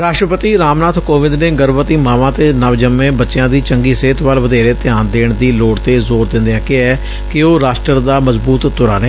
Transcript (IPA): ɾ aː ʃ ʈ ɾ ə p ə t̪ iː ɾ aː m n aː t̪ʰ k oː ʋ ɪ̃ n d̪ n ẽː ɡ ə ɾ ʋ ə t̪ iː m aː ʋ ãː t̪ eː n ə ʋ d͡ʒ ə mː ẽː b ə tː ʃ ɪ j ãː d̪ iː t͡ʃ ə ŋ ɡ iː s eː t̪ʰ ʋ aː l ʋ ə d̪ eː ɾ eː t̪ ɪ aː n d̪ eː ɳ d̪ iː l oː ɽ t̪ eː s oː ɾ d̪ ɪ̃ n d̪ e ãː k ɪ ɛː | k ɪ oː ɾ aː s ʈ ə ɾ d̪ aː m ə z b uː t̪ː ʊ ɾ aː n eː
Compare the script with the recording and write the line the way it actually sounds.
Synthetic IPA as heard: ɾ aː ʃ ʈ ɾ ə p ə t̪ iː ɾ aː m n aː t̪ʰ k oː ʋ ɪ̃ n d̪ n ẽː ɡ ə ɾ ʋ ə t̪ iː m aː ʋ ãː t̪ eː n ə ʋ d͡ʒ ə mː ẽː b ə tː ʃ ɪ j ãː d̪ iː t͡ʃ ə ŋ ɡ iː s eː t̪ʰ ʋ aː l ʋ ə d̪ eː ɾ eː t̪ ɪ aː n d̪ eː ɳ d̪ iː l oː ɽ t̪ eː z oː ɾ d̪ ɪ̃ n d̪ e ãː k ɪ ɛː | k ɪ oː ɾ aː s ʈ ə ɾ d̪ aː m ə z b uː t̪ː ʊ ɾ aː n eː